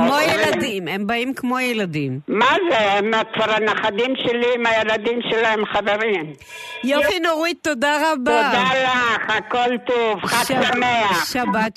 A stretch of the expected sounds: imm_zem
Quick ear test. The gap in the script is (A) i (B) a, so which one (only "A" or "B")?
B